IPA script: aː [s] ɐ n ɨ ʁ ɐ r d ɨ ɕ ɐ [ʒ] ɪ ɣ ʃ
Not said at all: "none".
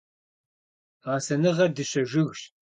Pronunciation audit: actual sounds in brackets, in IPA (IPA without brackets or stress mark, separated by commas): s, ʒ